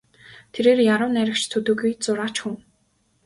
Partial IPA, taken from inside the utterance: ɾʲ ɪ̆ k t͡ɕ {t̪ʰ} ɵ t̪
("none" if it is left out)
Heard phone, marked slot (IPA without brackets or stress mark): t̪ʰ